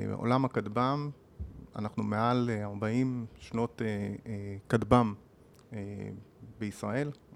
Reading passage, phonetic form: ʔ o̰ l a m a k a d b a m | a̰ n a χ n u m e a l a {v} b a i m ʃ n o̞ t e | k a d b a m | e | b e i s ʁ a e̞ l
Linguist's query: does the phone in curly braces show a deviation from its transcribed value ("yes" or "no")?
yes